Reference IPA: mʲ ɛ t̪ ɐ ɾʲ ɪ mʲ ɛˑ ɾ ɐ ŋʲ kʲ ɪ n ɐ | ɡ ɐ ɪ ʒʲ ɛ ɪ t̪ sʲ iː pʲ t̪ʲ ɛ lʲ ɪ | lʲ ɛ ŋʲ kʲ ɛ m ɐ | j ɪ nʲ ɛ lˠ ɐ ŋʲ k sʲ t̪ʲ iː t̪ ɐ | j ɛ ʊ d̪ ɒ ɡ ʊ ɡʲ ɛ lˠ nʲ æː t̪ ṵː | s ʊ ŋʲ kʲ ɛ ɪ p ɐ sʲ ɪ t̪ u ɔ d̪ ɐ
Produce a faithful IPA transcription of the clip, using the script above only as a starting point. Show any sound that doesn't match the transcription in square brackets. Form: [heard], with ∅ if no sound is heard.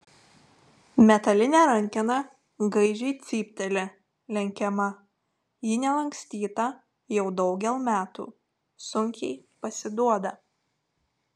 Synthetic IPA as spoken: mʲ ɛ t̪ ɐ [lʲ] ɪ [nʲ] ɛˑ ɾ ɐ ŋʲ kʲ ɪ n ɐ | ɡ ɐ ɪ ʒʲ ɛ ɪ t̪ sʲ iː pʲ t̪ʲ ɛ lʲ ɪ | lʲ ɛ ŋʲ kʲ ɛ m ɐ | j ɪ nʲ ɛ lˠ ɐ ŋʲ k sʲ t̪ʲ iː t̪ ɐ | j ɛ ʊ d̪ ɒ [∅] ʊ ɡʲ ɛ lˠ [mʲ] æː t̪ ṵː | s ʊ ŋʲ kʲ ɛ ɪ p ɐ sʲ ɪ [d̪] u ɔ d̪ ɐ